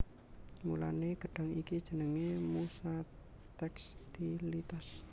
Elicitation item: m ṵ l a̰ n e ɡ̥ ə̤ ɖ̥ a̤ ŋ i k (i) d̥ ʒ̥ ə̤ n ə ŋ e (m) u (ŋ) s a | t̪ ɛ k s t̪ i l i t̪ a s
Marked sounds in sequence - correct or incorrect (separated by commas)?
correct, correct, incorrect